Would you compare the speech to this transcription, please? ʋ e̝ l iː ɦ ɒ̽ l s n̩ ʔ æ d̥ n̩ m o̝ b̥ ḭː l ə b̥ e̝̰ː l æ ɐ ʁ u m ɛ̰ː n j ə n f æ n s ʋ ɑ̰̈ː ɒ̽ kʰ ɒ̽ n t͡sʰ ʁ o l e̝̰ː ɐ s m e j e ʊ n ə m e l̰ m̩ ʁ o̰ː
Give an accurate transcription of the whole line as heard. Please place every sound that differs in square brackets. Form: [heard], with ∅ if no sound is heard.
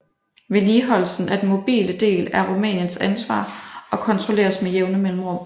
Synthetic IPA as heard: ʋ e̝ l iː ɦ ɒ̽ l s n̩ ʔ æ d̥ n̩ m o̝ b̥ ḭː l ə [d̥] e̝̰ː l æ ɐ ʁ u m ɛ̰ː n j ə n [s] æ n s ʋ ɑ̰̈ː ɒ̽ kʰ ɒ̽ n t͡sʰ ʁ o l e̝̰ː ɐ s m e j e ʊ n ə m e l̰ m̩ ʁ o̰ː